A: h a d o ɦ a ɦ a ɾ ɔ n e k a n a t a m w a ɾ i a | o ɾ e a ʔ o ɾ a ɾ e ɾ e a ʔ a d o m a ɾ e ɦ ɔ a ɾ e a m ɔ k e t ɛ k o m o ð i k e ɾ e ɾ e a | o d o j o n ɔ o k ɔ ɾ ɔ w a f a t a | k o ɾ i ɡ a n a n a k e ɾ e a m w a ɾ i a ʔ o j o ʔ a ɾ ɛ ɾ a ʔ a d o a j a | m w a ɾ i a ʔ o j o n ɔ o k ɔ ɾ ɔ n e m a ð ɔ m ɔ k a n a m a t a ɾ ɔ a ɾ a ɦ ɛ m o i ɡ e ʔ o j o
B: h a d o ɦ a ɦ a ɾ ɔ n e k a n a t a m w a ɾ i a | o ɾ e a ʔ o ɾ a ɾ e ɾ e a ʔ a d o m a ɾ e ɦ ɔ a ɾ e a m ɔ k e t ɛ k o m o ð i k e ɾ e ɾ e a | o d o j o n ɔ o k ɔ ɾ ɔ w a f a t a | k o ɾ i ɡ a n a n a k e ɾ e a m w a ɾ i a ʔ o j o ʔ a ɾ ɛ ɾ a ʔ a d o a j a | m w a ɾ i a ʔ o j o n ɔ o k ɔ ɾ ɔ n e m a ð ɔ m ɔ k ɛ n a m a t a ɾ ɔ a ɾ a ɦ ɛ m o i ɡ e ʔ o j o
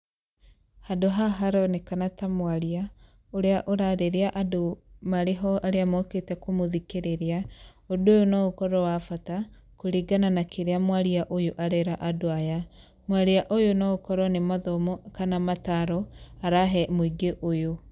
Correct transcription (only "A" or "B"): A